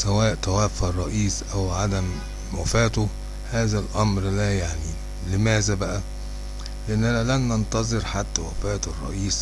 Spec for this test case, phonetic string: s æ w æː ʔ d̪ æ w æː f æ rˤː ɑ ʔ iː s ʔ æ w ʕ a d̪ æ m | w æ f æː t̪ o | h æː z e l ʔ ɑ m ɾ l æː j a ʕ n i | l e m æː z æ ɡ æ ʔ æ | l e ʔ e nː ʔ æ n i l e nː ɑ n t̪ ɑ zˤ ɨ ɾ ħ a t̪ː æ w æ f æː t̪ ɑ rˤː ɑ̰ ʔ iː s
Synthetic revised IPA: s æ w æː ʔ t̪ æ w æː f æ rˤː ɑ ʔ iː s ʔ æ w ʕ a d̪ æ m | w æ f æː t̪ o | h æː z æ l ʔ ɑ m ɾ l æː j a ʕ n i | l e m æː z æ b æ ʔ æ | l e ʔ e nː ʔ æ n æ l æ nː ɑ n t̪ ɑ zˤ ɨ ɾ ħ a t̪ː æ w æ f æː t̪ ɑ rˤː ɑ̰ ʔ iː s